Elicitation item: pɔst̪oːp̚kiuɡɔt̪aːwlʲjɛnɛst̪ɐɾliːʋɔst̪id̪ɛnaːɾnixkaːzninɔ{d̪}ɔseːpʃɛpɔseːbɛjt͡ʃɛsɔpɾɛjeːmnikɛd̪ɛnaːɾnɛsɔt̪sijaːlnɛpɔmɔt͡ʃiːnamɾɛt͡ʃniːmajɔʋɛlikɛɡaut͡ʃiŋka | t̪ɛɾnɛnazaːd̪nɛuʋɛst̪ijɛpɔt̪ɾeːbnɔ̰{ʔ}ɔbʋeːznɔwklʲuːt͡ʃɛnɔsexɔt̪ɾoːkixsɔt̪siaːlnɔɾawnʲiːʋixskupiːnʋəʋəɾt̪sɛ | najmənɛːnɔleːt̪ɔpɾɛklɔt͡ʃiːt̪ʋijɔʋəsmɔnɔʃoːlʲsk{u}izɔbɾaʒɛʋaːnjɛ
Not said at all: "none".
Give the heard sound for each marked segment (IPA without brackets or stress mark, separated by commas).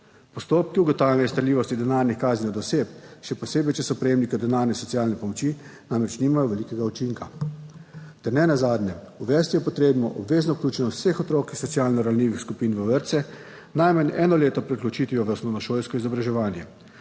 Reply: d̪, ʔ, ɔ